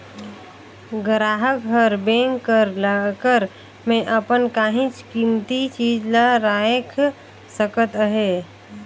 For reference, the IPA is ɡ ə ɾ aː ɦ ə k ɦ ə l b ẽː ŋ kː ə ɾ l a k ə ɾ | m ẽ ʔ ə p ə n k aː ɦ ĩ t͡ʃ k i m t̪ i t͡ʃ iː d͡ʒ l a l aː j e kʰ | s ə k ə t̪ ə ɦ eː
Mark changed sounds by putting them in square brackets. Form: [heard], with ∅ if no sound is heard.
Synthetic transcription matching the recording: ɡ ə ɾ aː ɦ ə k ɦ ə [ɾ] b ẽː ŋ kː ə ɾ l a k ə ɾ | m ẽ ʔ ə p ə n k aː ɦ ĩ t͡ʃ k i m t̪ i t͡ʃ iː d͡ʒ l a [ɾ] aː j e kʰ | s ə k ə t̪ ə ɦ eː